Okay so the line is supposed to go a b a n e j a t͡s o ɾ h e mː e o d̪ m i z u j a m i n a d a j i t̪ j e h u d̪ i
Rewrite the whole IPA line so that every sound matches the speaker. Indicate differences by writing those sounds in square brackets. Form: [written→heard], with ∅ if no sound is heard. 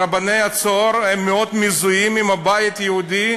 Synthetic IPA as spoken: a b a n e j a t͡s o ɾ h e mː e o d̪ m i z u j [a→i] m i [n→m] a [d→b] a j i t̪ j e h u d̪ i